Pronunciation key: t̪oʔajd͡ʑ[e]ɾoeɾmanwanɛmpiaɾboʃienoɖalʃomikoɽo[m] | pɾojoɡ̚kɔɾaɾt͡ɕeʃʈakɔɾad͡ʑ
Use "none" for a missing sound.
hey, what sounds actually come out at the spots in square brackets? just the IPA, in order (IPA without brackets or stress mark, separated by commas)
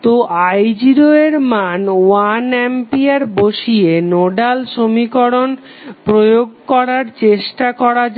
i, n